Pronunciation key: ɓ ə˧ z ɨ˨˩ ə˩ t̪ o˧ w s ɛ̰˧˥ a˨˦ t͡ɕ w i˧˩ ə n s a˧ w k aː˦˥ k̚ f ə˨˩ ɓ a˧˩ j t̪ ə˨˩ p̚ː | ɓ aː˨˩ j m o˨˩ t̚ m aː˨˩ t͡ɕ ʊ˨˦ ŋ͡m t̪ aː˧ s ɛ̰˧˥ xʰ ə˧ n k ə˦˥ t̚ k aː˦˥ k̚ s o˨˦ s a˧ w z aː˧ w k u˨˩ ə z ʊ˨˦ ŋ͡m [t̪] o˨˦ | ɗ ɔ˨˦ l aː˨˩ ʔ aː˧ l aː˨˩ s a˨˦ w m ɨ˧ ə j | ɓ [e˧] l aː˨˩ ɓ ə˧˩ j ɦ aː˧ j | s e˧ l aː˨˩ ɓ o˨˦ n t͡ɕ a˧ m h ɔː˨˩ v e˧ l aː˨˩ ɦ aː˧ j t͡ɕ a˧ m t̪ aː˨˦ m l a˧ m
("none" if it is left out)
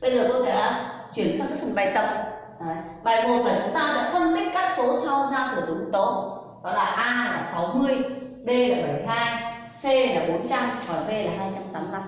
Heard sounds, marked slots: t̪, e˧

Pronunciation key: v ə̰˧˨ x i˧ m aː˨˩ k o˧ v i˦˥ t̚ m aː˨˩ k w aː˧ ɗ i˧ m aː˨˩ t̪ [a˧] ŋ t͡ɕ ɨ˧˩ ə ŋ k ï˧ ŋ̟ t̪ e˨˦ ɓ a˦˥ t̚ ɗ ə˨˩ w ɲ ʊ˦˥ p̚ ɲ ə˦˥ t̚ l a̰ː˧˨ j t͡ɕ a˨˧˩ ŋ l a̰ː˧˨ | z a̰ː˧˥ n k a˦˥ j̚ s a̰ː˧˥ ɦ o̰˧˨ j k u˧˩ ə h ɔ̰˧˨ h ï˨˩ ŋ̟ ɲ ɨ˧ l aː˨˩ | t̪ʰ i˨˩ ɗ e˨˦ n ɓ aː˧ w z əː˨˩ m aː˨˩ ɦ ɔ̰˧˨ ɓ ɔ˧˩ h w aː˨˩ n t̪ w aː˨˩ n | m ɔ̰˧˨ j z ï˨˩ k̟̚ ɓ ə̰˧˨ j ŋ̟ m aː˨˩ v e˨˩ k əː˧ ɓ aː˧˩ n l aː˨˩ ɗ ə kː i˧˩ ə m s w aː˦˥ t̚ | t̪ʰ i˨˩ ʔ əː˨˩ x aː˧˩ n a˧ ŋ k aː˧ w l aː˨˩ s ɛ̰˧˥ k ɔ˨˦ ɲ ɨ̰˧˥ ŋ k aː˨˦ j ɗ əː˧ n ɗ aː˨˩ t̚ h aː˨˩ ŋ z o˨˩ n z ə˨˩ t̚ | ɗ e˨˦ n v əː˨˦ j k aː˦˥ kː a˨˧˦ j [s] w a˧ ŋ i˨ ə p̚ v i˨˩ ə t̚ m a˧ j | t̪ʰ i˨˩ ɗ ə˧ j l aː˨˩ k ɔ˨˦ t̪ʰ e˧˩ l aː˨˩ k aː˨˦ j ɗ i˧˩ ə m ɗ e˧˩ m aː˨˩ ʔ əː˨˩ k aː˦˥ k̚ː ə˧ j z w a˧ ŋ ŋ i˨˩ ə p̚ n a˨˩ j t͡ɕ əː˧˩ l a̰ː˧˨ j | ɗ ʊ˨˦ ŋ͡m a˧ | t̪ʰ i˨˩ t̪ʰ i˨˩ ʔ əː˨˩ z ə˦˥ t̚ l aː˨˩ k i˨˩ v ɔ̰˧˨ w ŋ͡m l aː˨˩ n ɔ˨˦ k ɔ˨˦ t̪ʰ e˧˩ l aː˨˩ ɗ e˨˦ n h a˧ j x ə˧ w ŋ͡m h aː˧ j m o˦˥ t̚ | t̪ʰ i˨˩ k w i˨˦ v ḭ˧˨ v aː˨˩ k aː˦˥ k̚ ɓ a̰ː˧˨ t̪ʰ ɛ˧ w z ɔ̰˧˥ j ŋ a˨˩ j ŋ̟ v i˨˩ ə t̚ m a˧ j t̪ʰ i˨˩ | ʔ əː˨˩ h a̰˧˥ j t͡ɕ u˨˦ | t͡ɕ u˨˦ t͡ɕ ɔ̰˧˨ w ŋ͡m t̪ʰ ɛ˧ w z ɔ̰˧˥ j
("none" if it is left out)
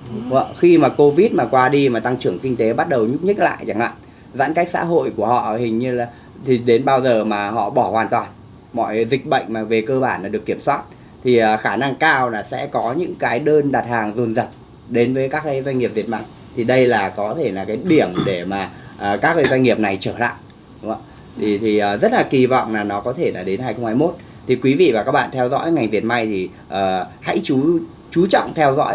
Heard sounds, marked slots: a˧, z

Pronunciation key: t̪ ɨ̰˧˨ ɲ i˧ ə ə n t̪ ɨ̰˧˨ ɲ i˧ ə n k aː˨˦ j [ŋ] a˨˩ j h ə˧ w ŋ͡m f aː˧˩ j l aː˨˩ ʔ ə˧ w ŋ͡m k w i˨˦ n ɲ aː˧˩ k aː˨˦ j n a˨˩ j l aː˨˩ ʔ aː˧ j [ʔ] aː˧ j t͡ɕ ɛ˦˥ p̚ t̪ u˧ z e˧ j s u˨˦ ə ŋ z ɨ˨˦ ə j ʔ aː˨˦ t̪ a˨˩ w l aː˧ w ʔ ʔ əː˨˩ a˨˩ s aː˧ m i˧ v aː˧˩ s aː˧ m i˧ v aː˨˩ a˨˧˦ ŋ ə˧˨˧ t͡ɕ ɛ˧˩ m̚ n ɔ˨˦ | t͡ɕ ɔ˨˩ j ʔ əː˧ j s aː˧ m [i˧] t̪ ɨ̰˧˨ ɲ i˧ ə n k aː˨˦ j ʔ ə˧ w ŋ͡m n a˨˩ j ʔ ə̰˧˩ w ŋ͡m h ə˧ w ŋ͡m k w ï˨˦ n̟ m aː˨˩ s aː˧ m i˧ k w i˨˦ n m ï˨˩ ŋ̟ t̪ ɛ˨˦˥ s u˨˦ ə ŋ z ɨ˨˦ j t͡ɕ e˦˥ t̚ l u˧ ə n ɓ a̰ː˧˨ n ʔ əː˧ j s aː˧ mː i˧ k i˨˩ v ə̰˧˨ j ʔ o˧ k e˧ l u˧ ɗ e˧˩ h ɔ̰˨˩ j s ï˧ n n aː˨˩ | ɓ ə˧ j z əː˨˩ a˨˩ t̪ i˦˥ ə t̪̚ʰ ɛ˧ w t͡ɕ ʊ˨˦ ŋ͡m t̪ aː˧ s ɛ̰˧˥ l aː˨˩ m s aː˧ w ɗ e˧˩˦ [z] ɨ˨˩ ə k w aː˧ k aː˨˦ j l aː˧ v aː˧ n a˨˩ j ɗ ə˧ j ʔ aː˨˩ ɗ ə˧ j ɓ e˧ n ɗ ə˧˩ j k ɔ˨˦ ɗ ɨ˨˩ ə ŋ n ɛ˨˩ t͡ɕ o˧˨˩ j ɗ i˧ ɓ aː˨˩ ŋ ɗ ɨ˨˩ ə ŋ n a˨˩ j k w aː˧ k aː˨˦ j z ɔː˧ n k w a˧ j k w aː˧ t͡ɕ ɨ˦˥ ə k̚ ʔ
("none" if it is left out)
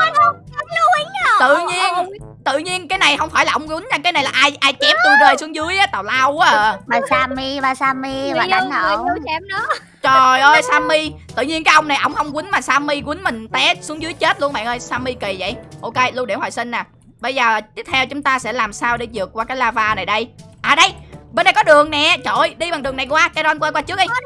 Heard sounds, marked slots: n, ʔ, i˧, z

